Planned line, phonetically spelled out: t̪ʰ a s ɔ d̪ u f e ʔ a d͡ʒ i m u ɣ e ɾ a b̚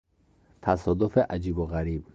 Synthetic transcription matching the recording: t̪ʰ a s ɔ d̪ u f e ʔ a d͡ʒ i b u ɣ a ɾ i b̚